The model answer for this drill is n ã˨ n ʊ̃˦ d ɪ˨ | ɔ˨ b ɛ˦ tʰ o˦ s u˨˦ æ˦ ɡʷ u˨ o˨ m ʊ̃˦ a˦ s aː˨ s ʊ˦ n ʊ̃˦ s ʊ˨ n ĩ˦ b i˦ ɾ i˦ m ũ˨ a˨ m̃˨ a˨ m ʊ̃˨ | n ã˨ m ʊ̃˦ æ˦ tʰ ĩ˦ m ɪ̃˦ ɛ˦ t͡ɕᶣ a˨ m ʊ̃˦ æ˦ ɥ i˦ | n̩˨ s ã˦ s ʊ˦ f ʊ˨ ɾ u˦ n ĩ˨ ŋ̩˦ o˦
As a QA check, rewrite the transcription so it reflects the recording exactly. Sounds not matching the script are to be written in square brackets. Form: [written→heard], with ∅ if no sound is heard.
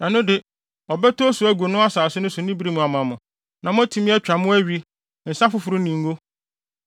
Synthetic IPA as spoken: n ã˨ n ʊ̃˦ d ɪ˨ | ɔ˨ b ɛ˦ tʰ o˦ s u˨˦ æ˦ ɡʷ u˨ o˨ [m→n] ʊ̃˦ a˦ s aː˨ s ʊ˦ n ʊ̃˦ s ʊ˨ n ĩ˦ b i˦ ɾ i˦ m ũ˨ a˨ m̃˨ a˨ m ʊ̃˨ | n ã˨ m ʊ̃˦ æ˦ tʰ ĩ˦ m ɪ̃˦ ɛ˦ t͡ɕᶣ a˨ m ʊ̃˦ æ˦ ɥ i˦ | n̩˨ s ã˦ [s→f] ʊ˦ f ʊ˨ ɾ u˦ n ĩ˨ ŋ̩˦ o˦